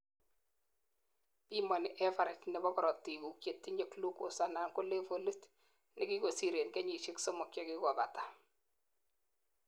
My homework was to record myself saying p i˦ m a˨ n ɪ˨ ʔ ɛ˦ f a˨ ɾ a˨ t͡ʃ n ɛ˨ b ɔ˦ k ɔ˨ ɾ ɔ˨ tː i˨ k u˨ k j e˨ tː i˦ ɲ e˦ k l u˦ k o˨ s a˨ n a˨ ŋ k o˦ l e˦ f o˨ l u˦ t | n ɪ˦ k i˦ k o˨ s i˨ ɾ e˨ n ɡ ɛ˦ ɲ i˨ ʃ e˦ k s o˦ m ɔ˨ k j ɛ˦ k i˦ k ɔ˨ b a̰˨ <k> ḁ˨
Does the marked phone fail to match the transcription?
yes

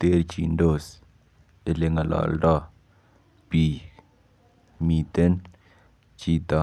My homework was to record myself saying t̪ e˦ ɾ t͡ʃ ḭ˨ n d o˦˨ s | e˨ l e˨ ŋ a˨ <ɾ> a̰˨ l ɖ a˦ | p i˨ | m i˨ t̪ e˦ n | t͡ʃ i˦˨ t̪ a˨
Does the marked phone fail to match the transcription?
yes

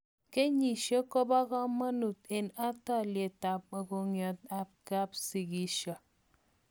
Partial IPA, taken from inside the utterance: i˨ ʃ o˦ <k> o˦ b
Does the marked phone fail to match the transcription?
no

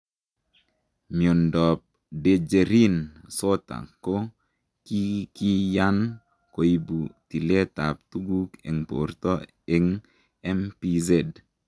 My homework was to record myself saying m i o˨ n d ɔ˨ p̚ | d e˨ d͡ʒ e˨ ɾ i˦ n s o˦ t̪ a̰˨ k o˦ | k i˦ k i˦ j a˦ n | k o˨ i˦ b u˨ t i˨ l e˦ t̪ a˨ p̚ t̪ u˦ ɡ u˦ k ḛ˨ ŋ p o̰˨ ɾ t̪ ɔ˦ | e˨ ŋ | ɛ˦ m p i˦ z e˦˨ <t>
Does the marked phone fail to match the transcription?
yes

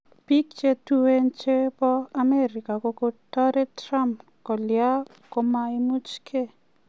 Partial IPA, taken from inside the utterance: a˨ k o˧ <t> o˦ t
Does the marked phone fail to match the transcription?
yes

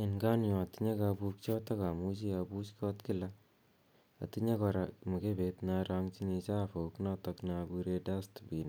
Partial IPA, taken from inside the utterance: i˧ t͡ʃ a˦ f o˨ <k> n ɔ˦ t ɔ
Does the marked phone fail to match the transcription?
no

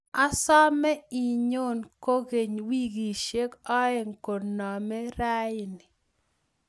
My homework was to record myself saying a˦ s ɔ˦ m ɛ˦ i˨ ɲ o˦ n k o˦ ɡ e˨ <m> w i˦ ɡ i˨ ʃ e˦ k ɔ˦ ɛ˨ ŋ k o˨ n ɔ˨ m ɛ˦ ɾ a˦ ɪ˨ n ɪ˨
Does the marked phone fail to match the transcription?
yes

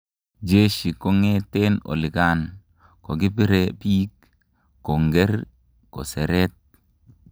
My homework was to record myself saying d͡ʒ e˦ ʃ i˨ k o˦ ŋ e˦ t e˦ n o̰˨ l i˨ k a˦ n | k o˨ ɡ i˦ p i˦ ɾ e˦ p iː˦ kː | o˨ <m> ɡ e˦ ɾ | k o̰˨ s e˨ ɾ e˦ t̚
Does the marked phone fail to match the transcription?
yes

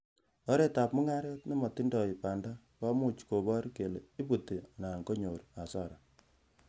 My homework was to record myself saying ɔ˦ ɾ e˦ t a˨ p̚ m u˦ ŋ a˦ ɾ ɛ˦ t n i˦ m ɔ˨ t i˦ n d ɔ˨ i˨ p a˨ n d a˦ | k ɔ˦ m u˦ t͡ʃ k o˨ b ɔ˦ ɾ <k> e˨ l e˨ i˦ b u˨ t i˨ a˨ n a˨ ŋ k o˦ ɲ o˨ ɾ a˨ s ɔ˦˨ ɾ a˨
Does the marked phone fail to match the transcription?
no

